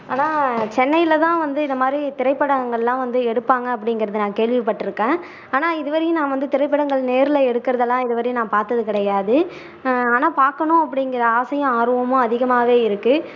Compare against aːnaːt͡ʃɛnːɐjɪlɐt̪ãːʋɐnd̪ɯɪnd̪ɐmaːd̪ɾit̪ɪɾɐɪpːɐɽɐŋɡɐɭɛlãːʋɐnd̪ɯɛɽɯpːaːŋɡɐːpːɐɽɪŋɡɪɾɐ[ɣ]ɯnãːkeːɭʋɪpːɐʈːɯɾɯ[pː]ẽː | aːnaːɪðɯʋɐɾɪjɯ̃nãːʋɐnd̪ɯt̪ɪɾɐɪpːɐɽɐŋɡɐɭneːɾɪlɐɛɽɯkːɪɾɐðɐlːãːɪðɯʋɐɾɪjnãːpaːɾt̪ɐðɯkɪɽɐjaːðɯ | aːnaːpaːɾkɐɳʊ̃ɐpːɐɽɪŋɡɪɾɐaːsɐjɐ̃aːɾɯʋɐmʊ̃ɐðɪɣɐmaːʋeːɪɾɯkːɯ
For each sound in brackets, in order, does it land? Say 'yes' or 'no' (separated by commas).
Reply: no, no